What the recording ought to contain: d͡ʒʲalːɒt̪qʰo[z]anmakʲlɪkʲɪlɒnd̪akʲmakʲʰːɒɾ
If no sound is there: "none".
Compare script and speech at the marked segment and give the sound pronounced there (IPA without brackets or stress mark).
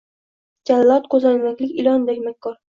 z